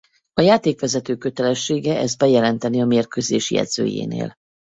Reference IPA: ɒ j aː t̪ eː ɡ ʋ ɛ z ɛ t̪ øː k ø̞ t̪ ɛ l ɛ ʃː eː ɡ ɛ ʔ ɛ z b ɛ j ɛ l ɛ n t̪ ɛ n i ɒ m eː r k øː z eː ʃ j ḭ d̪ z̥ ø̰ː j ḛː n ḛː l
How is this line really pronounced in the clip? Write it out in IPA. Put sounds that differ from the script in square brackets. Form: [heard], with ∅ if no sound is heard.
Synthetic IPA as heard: ɒ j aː t̪ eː [k] ʋ ɛ z ɛ t̪ øː k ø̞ t̪ ɛ l ɛ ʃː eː ɡ ɛ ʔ ɛ z b ɛ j ɛ l ɛ n t̪ ɛ n i ɒ m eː r k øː z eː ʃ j [ɛ̰] d̪ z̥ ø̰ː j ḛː n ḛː l

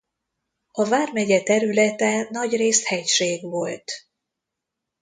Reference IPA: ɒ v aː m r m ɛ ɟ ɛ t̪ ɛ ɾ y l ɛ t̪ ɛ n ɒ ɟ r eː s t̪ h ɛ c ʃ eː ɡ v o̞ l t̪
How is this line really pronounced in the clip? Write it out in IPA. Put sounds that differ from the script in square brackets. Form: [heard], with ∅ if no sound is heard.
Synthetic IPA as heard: ɒ v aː [∅] r m ɛ ɟ ɛ t̪ ɛ ɾ y l ɛ t̪ ɛ n ɒ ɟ r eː s t̪ h ɛ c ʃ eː ɡ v o̞ l t̪

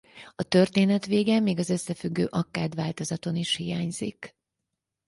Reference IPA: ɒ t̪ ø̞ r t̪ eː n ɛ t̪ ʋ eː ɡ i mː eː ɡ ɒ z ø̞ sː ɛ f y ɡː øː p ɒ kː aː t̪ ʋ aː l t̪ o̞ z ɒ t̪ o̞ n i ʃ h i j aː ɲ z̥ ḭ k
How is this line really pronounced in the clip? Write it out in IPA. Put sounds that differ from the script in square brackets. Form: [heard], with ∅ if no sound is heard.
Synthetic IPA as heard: ɒ t̪ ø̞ r t̪ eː n ɛ t̪ ʋ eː ɡ [ɛ] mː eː ɡ ɒ z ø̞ sː ɛ f y ɡː øː [ʔ] ɒ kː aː [d̪] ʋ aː l t̪ o̞ z ɒ t̪ o̞ n i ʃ h i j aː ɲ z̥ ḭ k

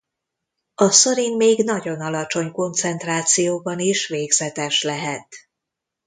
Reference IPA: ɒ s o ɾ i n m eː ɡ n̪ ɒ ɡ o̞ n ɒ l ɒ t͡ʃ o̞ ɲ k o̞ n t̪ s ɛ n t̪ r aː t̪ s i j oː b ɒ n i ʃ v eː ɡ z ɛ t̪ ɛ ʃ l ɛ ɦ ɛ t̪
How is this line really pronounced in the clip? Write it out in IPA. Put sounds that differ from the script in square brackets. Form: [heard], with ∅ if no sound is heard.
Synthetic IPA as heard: ɒ s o ɾ i n m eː ɡ n̪ ɒ [ɟ] o̞ n ɒ l ɒ t͡ʃ o̞ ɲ k o̞ n t̪ s ɛ n t̪ r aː t̪ s i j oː b ɒ n i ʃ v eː ɡ z ɛ t̪ ɛ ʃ l ɛ ɦ ɛ t̪

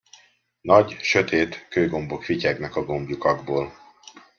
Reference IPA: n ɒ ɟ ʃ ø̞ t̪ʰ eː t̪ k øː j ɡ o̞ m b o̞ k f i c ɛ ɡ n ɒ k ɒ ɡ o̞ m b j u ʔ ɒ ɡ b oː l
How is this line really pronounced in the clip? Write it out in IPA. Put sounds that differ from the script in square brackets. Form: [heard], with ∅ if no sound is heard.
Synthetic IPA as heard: n ɒ ɟ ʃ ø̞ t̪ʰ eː t̪ k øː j ɡ o̞ m b o̞ k f i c ɛ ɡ n ɒ k ɒ ɡ o̞ m b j u [k] ɒ ɡ b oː l

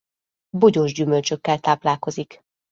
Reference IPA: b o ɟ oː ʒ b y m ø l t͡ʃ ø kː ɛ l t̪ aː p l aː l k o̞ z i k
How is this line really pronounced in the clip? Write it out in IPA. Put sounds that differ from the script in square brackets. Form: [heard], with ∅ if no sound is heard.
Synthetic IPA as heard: b o ɟ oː ʒ [ɟ] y m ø l t͡ʃ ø kː ɛ l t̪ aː p l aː l k o̞ z i k

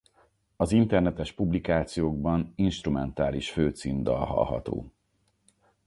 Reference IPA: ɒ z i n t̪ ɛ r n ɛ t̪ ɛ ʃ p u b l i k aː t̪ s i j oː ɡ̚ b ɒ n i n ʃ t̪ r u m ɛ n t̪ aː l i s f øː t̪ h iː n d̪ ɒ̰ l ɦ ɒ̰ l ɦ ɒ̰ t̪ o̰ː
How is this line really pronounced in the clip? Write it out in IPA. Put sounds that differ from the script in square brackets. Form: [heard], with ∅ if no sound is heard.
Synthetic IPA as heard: ɒ z i n t̪ ɛ r n ɛ t̪ ɛ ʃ p u b l i k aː t̪ s i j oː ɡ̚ b ɒ n i n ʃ t̪ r u m ɛ n t̪ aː l i [ʃ] f øː t̪ [s] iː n d̪ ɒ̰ l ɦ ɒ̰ l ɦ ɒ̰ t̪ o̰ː

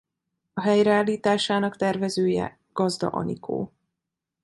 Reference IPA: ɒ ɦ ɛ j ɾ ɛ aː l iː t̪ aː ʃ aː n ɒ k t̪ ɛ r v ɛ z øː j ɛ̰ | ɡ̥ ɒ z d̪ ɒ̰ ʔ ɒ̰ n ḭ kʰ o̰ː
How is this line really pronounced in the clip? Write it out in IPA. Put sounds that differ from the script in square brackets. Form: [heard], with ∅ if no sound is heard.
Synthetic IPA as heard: ɒ ɦ ɛ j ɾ ɛ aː l iː t̪ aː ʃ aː n ɒ k t̪ ɛ r v ɛ z øː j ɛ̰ | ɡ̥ ɒ z d̪ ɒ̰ ʔ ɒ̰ n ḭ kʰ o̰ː

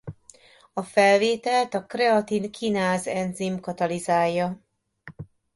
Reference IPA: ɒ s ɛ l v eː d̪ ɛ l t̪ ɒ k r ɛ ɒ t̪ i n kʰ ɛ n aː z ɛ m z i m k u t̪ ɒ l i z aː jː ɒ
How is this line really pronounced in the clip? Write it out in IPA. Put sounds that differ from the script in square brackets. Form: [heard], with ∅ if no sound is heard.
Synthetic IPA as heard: ɒ [f] ɛ l v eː [t̪] ɛ l t̪ ɒ k r ɛ ɒ t̪ i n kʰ [i] n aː z ɛ [n] z i m k [ɒ] t̪ ɒ l i z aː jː ɒ

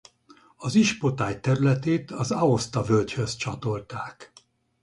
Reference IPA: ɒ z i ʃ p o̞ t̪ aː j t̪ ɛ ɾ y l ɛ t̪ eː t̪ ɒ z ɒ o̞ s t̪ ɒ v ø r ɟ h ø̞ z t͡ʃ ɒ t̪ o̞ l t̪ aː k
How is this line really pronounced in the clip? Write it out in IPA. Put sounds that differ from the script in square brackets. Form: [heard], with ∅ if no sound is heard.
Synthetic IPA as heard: ɒ z i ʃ p o̞ t̪ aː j t̪ ɛ ɾ y l ɛ t̪ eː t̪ ɒ z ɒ o̞ s t̪ ɒ v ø [l] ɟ h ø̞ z t͡ʃ ɒ t̪ o̞ l t̪ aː k

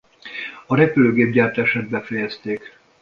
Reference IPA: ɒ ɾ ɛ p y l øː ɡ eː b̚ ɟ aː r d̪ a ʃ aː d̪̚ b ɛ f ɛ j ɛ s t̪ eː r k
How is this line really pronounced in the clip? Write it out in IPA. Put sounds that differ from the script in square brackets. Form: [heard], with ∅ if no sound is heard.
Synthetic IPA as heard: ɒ ɾ ɛ p y l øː ɡ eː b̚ ɟ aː r [t̪] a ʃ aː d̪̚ b ɛ f ɛ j ɛ s t̪ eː [∅] k

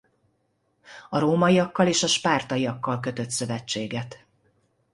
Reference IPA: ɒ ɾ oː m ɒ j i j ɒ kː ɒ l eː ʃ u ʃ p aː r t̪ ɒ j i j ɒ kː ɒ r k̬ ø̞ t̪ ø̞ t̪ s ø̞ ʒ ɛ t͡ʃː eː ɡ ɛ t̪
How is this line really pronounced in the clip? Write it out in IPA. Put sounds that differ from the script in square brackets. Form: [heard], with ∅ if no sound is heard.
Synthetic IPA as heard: ɒ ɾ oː m ɒ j i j ɒ kː ɒ l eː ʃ [ɒ] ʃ p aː r t̪ ɒ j i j ɒ kː ɒ [l] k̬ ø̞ t̪ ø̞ t̪ s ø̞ [v] ɛ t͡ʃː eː ɡ ɛ t̪

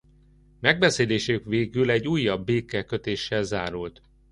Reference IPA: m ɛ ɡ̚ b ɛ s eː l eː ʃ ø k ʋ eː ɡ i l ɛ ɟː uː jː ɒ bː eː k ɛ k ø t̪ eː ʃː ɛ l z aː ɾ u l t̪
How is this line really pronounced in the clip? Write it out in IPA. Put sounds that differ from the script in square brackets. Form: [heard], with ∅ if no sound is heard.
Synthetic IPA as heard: m ɛ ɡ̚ b ɛ s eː l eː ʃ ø k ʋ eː ɡ [y] l ɛ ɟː uː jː ɒ bː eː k ɛ k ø t̪ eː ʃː ɛ l z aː ɾ u l t̪

